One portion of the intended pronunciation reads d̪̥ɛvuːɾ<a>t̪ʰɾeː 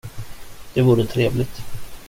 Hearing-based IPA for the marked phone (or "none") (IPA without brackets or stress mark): ə